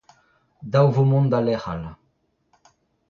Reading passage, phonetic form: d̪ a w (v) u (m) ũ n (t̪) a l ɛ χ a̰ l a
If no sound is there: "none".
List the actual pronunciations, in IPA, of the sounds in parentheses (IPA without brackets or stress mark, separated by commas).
v, m, d̪